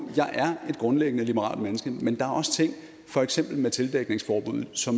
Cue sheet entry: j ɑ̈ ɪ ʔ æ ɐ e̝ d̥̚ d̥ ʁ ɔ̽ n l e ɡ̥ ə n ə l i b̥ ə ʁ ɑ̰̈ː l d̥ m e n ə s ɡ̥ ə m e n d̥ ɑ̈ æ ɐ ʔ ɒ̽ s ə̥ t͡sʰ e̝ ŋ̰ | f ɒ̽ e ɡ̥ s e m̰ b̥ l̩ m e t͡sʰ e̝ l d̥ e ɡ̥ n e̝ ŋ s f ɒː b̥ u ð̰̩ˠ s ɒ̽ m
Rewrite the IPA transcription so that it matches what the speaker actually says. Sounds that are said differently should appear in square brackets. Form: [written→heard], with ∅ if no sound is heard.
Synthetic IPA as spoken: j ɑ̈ ɪ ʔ æ ɐ e̝ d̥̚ [d̥→ɡ̥] ʁ ɔ̽ n l e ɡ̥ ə n ə l i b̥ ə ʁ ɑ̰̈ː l d̥ m e n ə s ɡ̥ ə m e n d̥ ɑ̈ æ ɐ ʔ ɒ̽ s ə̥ t͡sʰ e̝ ŋ̰ | f ɒ̽ e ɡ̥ s e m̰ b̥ l̩ m e t͡sʰ e̝ l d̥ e ɡ̥ n e̝ ŋ s f ɒː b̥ u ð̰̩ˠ s ɒ̽ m